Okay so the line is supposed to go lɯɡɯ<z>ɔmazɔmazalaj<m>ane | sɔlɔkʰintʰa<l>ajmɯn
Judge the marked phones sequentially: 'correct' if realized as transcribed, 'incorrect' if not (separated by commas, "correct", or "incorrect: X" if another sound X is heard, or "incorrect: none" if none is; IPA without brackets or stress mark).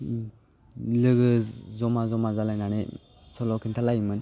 correct, incorrect: n, correct